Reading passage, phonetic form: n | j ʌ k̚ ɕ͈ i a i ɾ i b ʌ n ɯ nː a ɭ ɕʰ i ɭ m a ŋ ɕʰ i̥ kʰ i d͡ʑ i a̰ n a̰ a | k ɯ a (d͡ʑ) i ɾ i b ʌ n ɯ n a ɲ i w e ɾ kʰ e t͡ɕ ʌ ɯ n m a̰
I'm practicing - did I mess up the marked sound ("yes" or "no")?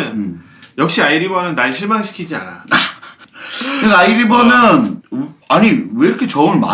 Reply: yes